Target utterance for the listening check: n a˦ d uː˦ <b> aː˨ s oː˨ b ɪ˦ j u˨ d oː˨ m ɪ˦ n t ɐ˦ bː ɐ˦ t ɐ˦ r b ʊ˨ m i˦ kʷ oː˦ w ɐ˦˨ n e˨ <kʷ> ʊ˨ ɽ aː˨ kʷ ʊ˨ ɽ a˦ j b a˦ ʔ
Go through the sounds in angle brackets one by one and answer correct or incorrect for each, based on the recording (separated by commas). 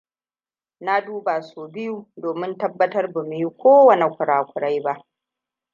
correct, correct